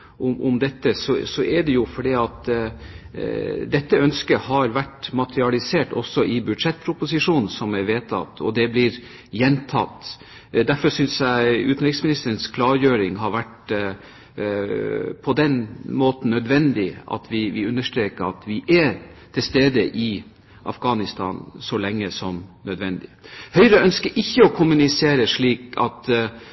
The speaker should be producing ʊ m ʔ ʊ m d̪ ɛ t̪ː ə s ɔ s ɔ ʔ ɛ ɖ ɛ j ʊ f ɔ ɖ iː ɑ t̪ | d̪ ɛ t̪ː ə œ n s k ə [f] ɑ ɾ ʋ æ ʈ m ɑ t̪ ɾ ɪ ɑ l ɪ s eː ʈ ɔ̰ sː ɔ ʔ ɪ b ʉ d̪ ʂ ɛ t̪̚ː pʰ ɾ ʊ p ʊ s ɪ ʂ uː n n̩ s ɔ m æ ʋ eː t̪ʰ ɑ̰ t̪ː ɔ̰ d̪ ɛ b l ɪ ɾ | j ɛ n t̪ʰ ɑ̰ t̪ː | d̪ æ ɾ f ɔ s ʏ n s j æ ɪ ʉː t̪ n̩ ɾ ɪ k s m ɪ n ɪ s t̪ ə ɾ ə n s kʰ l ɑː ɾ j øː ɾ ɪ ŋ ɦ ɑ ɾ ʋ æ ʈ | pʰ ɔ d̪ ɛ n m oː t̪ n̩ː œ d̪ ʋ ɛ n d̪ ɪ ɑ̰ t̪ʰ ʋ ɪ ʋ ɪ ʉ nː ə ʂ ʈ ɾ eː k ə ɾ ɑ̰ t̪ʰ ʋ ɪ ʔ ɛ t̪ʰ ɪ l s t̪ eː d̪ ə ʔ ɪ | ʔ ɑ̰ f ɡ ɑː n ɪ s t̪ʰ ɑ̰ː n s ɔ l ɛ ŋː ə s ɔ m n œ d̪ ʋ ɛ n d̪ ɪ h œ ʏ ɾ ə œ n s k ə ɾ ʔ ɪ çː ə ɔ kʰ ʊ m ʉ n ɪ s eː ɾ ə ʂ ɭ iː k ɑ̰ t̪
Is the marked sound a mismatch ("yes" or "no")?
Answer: yes